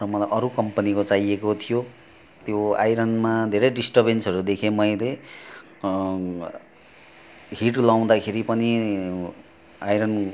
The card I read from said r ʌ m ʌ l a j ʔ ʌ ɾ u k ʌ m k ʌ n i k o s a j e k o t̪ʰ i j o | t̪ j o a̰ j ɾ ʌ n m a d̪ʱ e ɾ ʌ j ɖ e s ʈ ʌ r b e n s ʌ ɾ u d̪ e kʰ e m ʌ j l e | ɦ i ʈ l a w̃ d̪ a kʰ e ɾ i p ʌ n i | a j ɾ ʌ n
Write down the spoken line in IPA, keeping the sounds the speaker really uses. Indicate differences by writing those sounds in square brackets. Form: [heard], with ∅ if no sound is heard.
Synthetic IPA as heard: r ʌ m ʌ l a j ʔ ʌ ɾ u k ʌ m [p] ʌ n i k o [t͡s] a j e k o t̪ʰ i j o | t̪ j o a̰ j ɾ ʌ n m a d̪ʱ e ɾ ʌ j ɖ [i] s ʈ ʌ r b e n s ʌ ɾ u d̪ e kʰ e m ʌ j l e | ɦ i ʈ l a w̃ d̪ a kʰ e ɾ i p ʌ n i | a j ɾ ʌ n